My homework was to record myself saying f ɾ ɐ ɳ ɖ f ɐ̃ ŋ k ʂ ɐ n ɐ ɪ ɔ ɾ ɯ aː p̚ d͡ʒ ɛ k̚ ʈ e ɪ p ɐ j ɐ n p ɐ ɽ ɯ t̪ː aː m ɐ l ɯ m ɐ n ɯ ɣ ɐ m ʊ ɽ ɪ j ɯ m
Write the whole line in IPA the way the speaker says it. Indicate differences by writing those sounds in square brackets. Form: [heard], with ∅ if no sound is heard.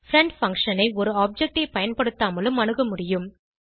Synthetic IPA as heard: f ɾ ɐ ɳ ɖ f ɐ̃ ŋ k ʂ ɐ n ɐ ɪ ɔ ɾ ɯ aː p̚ d͡ʒ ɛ k̚ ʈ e ɪ p ɐ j ɐ n p ɐ ɽ ɯ t̪ː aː m ɐ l ɯ m ɐ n ɯ ɣ ɐ m ʊ ɽ ɪ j ɯ m